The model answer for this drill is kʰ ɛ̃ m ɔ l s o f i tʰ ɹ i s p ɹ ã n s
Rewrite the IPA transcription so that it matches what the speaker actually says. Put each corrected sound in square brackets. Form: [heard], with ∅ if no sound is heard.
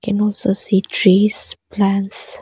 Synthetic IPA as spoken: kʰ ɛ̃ [n] ɔ l s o [s] i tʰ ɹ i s p [l] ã n s